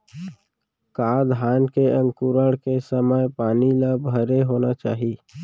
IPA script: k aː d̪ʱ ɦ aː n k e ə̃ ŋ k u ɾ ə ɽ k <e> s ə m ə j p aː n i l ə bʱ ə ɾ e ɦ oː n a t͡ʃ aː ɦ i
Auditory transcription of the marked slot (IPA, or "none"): e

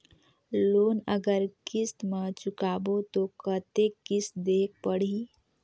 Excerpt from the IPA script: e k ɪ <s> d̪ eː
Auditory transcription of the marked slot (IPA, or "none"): s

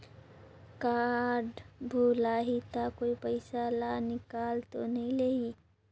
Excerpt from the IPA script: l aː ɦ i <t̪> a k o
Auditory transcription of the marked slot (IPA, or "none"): t̪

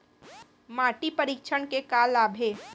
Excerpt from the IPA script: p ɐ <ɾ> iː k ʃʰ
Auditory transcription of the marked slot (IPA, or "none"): ɾ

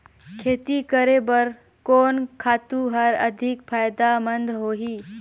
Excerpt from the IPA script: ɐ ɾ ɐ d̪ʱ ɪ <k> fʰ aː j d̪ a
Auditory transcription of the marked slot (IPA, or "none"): k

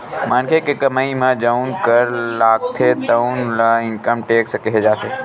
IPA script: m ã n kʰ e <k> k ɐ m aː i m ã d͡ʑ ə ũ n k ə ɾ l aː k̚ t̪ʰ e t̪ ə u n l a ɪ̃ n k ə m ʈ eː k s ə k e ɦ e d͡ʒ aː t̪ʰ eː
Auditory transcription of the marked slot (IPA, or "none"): k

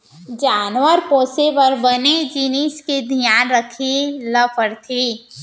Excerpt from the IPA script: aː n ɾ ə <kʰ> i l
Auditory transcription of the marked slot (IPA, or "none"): kʰ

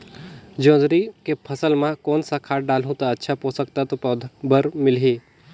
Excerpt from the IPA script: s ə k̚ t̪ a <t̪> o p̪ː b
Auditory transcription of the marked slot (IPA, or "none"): t̪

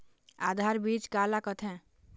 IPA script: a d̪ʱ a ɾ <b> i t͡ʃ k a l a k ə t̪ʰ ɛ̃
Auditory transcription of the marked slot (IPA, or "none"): b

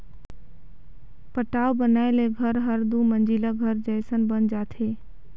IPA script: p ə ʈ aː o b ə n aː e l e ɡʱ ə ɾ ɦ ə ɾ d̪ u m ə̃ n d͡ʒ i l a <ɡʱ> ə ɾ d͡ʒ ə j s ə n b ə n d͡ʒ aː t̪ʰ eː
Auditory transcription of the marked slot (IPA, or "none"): ɡʱ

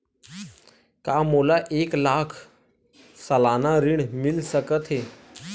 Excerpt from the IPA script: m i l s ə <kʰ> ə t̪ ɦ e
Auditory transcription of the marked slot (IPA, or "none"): k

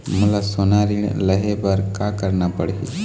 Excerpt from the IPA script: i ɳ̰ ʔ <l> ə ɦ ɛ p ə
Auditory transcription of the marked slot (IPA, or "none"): l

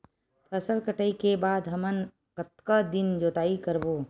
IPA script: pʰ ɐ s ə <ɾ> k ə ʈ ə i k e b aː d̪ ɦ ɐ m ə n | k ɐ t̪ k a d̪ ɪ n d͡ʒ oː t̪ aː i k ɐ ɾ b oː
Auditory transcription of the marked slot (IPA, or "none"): l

